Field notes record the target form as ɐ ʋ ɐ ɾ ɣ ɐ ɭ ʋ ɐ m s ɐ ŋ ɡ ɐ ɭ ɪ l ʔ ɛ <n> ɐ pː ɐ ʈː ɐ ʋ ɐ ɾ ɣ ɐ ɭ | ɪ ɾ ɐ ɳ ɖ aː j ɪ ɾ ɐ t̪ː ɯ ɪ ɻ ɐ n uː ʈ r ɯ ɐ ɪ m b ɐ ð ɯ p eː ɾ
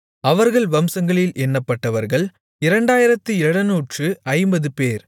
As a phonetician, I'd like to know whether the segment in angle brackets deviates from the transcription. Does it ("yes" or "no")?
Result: yes